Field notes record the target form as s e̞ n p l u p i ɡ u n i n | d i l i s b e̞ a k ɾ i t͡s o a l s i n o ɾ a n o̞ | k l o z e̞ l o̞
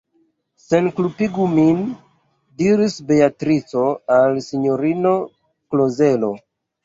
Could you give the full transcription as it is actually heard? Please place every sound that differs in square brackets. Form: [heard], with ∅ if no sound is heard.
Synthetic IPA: s e̞ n [k] l u p i ɡ u [m] i n | d i [ɾ] i s b e̞ a [t] ɾ i t͡s o a l s i [ɲ] o ɾ [i] n o̞ | k l o z e̞ l o̞